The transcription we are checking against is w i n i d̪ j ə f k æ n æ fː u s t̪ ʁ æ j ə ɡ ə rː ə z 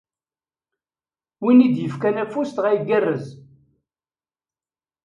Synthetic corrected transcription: w i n i d̪ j ə f k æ n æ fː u s t̪ ʁ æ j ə ɡ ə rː ə z